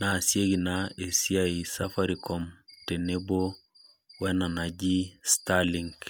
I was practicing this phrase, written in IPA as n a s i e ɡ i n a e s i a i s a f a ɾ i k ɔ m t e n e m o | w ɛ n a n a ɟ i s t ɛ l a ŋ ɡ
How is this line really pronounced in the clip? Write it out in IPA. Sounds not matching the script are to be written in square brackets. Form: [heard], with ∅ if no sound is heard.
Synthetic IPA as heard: n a s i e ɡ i n a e s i a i s a f a ɾ i k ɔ m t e n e [b] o | w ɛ n a n a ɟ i s t [a] l [i] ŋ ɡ